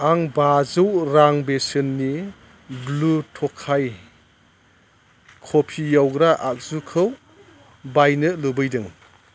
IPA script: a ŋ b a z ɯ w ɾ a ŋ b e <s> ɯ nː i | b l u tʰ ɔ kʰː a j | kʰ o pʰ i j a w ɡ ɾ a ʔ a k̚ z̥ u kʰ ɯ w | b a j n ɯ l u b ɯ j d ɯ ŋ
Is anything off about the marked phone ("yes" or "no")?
no